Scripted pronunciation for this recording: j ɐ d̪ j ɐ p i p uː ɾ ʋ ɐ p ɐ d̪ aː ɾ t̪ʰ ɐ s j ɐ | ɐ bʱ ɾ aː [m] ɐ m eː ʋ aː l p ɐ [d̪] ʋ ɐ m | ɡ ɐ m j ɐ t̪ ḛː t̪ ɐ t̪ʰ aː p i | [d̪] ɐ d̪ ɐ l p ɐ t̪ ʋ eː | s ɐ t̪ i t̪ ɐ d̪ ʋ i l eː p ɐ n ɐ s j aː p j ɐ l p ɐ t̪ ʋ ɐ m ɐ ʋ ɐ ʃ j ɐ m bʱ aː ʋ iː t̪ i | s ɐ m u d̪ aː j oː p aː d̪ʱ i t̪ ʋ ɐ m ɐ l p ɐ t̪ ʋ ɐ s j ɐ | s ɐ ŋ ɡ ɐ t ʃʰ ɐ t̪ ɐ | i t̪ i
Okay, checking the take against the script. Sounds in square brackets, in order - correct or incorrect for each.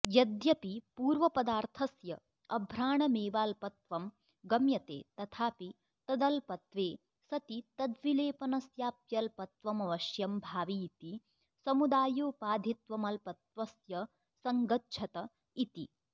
incorrect: ɳ, incorrect: t̪, incorrect: t̪

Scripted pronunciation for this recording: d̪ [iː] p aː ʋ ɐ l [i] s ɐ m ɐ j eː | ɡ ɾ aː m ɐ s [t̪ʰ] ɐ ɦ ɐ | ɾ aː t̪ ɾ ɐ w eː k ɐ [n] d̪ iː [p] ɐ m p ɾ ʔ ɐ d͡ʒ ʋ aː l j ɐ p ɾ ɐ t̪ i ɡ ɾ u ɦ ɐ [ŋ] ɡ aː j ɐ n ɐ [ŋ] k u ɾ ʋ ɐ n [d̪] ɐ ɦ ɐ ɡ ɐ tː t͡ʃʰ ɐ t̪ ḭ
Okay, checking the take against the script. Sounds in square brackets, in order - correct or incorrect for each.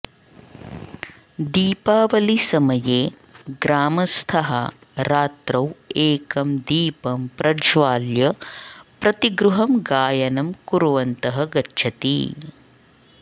correct, correct, correct, incorrect: m, correct, incorrect: m, incorrect: m, incorrect: t̪

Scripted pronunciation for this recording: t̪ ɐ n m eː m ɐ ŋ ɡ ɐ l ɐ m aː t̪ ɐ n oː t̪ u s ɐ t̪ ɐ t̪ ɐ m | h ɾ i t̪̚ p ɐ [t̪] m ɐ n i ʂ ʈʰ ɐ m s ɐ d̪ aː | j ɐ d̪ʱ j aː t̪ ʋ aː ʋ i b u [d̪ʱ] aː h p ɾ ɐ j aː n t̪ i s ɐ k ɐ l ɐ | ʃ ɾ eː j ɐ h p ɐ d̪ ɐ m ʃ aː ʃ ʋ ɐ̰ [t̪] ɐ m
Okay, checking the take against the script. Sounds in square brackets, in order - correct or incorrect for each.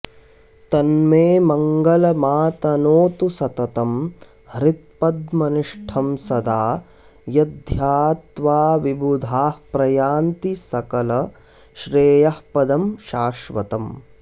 incorrect: d̪, correct, correct

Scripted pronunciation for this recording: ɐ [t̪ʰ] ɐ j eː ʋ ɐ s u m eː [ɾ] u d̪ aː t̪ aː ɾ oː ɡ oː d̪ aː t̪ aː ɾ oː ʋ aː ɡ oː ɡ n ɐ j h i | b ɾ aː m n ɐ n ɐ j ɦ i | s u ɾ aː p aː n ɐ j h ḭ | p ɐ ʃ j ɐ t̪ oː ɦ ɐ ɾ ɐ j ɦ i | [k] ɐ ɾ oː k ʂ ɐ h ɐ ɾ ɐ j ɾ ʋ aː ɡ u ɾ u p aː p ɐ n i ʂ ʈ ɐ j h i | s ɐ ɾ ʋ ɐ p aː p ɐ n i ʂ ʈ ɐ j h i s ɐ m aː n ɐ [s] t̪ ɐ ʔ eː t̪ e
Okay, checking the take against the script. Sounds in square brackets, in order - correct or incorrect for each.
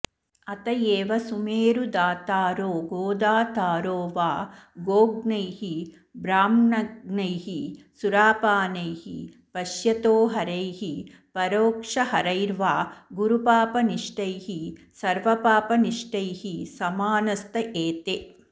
incorrect: t̪, correct, incorrect: p, correct

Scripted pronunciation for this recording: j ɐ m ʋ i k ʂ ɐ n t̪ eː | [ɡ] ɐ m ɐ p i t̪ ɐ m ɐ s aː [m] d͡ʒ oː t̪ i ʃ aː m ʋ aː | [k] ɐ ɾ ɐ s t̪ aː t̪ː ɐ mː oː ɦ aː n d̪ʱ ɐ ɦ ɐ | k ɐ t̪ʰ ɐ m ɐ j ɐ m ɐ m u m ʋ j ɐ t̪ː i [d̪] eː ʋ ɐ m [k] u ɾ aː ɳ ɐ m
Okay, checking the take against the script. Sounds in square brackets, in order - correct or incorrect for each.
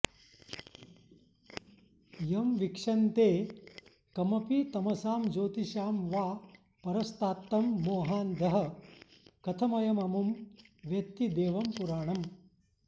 incorrect: k, correct, incorrect: p, correct, incorrect: p

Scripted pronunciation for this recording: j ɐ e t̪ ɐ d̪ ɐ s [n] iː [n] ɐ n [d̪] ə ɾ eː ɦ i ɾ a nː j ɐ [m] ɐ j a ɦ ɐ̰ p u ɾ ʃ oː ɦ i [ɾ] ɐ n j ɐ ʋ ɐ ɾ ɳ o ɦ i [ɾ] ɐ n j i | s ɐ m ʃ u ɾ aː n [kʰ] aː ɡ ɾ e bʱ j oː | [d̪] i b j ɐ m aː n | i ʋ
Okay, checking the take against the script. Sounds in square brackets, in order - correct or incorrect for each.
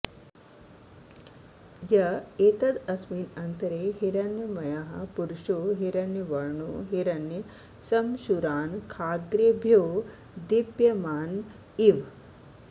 incorrect: m, correct, incorrect: t̪, correct, correct, correct, correct, correct

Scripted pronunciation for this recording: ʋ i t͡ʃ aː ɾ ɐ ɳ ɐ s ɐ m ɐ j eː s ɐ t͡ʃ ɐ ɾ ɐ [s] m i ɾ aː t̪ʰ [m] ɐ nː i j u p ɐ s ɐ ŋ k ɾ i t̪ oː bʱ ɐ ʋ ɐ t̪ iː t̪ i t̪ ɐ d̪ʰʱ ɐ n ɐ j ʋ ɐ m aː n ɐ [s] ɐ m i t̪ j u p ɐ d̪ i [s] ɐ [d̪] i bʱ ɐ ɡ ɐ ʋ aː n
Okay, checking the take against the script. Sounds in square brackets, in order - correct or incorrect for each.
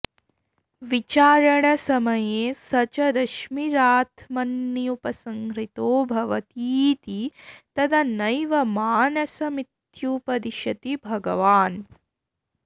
incorrect: ʃ, correct, correct, incorrect: ʃ, incorrect: t̪

